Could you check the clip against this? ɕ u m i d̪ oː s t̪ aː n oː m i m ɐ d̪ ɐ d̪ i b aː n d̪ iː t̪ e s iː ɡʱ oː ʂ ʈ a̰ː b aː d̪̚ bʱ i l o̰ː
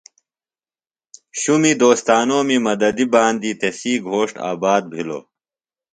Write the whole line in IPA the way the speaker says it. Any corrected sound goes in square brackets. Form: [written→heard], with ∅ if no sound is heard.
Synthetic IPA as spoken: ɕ u m i d̪ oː s t̪ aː n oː m i m ɐ d̪ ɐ d̪ i b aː n d̪ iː t̪ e s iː ɡʱ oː ʂ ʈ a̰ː b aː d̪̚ bʱ i l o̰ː